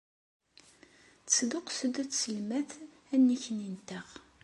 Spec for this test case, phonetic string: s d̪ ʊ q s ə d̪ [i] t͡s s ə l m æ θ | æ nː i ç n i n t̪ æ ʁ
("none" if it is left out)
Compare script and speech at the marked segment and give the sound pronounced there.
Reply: æ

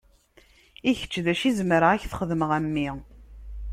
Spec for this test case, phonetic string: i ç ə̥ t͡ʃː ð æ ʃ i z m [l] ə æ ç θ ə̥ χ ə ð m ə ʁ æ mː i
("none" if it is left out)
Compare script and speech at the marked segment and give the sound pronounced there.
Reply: ɾ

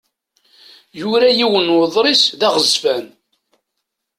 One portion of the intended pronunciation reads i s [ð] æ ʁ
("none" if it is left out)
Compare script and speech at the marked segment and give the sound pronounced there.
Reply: ð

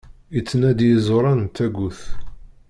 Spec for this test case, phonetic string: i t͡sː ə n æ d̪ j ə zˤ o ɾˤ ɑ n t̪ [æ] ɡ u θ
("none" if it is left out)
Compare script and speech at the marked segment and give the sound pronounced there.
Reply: æ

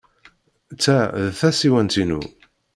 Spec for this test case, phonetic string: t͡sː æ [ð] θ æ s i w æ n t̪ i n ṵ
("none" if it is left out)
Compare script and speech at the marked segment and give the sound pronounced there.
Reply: ð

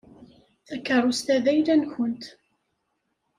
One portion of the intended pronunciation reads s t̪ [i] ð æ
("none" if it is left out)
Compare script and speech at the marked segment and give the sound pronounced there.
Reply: æ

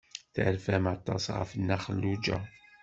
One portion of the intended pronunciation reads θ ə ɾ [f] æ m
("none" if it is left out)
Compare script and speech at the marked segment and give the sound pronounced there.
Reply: f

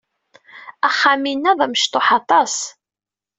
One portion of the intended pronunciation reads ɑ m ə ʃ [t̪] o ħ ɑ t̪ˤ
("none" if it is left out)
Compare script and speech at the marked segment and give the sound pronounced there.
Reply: t̪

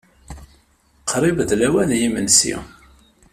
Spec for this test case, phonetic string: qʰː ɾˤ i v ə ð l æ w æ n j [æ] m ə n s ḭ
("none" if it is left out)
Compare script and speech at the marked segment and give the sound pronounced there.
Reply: i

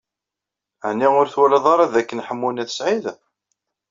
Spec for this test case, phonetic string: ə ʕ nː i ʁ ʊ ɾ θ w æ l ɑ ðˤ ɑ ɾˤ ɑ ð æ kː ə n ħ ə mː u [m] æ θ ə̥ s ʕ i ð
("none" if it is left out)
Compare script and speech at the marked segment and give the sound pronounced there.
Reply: n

